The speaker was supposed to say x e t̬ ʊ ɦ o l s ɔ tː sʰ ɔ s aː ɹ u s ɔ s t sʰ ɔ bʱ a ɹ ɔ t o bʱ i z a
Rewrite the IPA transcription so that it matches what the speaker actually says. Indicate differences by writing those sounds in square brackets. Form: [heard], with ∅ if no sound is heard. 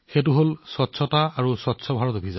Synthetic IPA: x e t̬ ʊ ɦ o l s ɔ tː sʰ ɔ [t] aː ɹ u s ɔ [∅] t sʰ ɔ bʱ a ɹ ɔ t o bʱ i z a